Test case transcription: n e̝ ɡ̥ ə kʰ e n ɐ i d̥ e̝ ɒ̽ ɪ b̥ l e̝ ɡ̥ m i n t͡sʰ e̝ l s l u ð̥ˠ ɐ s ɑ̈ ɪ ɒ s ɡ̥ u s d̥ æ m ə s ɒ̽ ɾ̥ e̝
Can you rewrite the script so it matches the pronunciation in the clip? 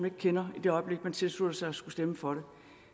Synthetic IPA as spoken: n e̝ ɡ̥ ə kʰ e n ɐ i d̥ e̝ ɒ̽ ɪ b̥ l e̝ ɡ̥ m æ n t͡sʰ e̝ l s l u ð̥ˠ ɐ s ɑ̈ ɪ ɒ s ɡ̥ u s d̥ e m ə f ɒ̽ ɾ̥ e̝